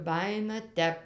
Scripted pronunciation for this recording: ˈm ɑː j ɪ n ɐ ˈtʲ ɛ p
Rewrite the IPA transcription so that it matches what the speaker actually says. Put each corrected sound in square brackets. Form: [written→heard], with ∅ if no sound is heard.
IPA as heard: [ˈm→ˈb] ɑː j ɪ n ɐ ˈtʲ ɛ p